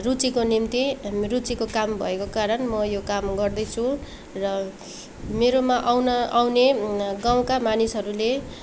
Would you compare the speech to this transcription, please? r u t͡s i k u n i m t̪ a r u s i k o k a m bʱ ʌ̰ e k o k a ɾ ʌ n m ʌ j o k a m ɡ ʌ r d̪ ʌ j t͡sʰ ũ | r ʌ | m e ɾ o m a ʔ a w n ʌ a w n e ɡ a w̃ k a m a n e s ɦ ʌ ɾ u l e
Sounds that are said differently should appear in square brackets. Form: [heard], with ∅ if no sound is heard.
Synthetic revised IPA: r u t͡s i k [o] n i m t̪ [i] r u [t͡s] i k o k a m bʱ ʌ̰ e k o k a ɾ ʌ n m ʌ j o k a m ɡ ʌ r d̪ ʌ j t͡sʰ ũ | r ʌ | m e ɾ o m a ʔ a w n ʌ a w n e ɡ a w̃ k a m a n [i] s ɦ ʌ ɾ u l e

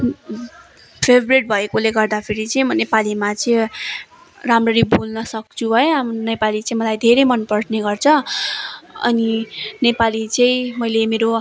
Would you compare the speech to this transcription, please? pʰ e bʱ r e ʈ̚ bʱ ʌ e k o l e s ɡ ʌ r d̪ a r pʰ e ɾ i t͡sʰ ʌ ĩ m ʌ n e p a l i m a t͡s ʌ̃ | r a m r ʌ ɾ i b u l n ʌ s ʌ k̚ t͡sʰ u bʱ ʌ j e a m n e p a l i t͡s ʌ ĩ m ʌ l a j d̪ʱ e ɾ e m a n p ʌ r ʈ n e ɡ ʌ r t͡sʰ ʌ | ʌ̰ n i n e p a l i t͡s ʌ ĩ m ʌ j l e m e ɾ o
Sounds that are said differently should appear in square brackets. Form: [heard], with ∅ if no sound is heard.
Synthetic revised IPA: pʰ e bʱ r e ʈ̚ bʱ ʌ e k o l e [∅] ɡ ʌ r d̪ a [∅] pʰ e ɾ i [t͡s] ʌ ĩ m ʌ n e p a l i m a t͡s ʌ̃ | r a m r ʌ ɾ i b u l n ʌ s ʌ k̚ t͡sʰ u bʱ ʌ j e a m n e p a l i t͡s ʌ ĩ m ʌ l a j d̪ʱ e ɾ e m [ʌ] n p ʌ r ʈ n e ɡ ʌ r t͡sʰ ʌ | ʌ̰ n i n e p a l i t͡s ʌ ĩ m ʌ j l e m e ɾ o

